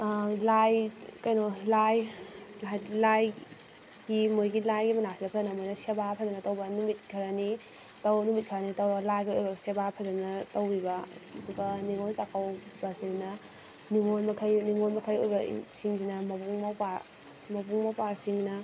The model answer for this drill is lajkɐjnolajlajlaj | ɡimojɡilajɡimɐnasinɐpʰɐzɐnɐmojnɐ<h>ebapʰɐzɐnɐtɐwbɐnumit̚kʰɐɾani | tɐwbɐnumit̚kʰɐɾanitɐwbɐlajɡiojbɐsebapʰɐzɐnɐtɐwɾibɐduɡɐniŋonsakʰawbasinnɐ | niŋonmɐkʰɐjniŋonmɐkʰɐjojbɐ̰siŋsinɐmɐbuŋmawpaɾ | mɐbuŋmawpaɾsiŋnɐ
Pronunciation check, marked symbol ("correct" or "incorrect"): incorrect